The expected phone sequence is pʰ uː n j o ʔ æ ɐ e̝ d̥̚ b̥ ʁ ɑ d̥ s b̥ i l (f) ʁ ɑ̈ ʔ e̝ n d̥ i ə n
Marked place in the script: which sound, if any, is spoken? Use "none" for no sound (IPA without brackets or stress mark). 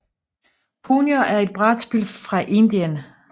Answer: f